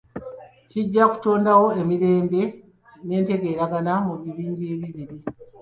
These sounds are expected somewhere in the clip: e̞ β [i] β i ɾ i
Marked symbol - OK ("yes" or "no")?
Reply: yes